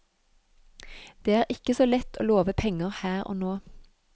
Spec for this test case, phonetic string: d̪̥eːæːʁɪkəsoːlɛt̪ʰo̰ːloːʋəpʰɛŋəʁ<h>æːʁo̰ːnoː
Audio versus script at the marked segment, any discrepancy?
no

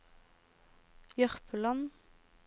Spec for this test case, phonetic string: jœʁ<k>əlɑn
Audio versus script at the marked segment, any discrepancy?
yes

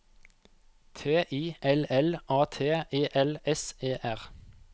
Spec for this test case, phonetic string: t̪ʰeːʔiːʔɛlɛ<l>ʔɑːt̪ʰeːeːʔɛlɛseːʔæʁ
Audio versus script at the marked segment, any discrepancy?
no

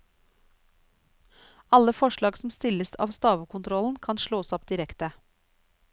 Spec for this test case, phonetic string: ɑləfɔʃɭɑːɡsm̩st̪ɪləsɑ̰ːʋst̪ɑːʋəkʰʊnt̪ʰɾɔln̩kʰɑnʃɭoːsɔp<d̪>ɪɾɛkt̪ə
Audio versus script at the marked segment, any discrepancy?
no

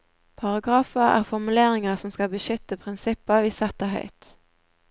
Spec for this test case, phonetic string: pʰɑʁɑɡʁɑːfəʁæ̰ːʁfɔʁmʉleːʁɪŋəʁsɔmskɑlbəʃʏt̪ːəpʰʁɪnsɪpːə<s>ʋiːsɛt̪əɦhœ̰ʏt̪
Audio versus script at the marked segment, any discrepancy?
yes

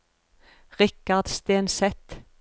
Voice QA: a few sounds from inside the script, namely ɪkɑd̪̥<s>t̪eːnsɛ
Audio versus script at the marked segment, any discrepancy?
no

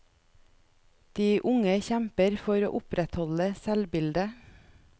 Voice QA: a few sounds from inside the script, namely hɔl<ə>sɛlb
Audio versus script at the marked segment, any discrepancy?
no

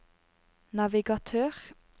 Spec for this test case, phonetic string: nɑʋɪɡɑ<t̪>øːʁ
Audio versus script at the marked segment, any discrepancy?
yes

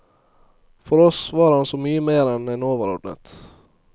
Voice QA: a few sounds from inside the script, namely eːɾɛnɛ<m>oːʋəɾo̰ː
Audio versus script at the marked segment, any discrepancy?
yes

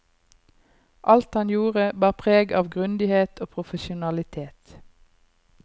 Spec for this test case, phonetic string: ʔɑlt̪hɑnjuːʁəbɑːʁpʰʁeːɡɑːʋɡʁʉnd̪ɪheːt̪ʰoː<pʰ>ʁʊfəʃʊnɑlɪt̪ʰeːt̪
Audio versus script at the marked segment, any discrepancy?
no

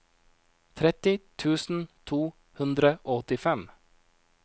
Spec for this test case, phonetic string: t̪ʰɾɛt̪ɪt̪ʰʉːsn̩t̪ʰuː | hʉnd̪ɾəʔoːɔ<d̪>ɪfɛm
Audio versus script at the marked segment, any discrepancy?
yes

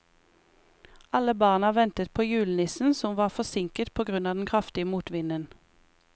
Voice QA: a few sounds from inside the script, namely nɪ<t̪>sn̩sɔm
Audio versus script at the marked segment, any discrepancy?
yes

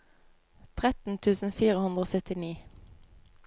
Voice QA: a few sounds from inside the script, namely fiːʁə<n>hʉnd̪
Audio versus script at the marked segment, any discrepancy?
yes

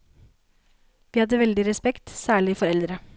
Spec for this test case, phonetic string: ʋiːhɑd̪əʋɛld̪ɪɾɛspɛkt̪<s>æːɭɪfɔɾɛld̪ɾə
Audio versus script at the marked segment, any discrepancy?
no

